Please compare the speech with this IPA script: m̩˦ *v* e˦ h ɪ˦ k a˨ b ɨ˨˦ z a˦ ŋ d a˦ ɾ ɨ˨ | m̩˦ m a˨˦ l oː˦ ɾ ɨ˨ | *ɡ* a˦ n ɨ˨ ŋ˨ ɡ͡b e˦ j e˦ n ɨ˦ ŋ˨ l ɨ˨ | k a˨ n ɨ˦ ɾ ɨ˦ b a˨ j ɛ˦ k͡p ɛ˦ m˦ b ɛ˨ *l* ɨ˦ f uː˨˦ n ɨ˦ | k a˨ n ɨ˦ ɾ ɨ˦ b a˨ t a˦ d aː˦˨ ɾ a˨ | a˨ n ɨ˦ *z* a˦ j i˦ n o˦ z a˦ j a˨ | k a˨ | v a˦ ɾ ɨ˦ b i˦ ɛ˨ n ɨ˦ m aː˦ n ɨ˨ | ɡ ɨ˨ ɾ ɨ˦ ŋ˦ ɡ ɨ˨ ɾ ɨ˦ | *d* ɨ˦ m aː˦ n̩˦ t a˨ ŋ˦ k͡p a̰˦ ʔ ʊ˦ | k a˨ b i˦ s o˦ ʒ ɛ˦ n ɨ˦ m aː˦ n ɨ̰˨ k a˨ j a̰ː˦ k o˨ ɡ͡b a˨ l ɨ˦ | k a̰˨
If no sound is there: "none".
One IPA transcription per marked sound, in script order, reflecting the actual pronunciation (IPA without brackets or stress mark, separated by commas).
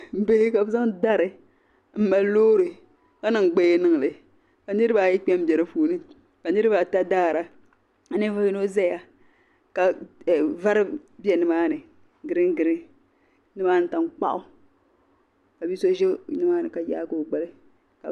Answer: b, k, ɾ, v, n